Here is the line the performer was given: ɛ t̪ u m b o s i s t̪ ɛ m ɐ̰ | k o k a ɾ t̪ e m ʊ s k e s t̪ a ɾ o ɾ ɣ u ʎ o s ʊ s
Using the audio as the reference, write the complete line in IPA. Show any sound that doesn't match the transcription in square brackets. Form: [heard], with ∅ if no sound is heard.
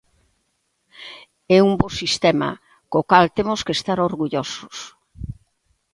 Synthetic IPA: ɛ [∅] u m b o s i s t̪ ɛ m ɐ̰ | k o k a [l] t̪ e m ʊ s k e s t̪ a ɾ o ɾ ɣ u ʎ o s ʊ s